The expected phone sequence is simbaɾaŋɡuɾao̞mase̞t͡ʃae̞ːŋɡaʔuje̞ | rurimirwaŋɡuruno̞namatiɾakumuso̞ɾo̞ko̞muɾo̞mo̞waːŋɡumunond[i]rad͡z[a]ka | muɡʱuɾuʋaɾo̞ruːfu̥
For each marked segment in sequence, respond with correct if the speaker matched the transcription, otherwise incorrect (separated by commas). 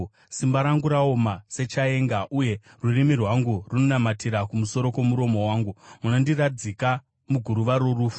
correct, incorrect